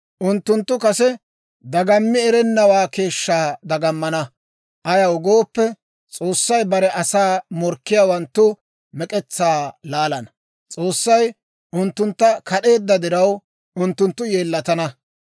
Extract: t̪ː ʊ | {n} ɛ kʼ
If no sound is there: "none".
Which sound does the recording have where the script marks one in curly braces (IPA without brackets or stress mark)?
m